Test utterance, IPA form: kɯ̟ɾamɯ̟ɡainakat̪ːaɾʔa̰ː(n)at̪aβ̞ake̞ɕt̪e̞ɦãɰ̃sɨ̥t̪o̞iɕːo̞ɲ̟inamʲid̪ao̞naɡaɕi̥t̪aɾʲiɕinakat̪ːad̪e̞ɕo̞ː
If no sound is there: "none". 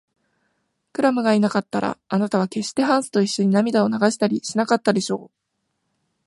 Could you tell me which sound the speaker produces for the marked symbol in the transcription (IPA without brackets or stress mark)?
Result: n